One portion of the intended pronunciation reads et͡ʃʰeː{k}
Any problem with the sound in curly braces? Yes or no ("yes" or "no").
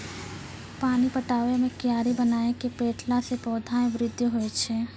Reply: yes